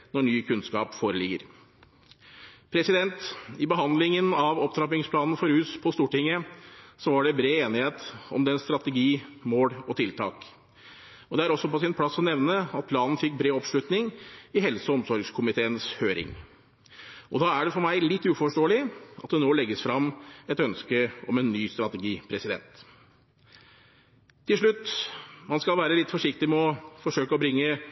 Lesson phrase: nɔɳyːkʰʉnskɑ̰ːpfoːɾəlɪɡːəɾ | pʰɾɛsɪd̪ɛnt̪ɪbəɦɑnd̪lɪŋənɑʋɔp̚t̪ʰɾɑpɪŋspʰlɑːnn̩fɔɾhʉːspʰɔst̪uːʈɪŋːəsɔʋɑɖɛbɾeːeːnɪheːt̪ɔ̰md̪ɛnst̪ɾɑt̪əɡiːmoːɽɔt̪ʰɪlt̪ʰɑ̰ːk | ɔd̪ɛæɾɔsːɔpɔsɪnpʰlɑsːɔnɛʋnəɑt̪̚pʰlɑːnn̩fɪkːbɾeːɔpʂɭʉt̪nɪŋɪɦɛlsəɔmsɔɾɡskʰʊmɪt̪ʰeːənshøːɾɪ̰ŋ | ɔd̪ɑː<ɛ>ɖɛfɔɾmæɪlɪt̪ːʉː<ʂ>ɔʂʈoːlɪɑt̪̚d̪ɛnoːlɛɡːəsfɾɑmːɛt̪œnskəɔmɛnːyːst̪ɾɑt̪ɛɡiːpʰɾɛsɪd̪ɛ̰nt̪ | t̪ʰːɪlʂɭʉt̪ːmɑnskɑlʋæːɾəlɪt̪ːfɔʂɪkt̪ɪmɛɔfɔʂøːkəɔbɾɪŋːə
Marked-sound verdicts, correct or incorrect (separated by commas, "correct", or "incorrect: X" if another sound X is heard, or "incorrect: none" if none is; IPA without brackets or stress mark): incorrect: æ, incorrect: f